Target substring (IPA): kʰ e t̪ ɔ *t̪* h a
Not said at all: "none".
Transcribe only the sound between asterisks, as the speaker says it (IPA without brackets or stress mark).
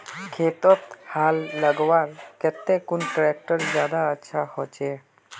t̪